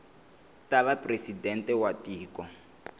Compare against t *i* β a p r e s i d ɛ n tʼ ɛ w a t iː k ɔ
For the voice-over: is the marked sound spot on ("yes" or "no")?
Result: no